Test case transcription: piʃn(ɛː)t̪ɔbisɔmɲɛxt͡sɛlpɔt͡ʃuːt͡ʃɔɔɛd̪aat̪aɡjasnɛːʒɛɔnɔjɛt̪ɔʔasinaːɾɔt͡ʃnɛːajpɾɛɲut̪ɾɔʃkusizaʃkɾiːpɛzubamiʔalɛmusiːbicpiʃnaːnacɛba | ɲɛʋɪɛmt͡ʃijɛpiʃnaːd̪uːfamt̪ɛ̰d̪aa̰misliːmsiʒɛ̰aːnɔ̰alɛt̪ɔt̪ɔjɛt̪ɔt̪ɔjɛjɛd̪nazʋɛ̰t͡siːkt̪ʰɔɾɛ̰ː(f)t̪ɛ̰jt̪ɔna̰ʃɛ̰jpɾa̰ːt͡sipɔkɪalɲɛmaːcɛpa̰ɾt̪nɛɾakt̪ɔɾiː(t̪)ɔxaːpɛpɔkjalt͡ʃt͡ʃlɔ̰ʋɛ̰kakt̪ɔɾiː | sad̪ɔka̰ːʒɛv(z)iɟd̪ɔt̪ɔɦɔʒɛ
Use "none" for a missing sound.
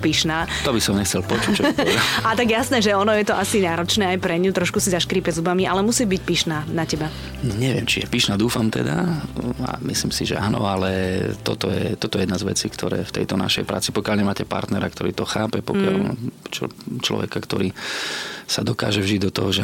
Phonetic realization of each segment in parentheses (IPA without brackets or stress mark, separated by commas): aː, f, t̪, ʒ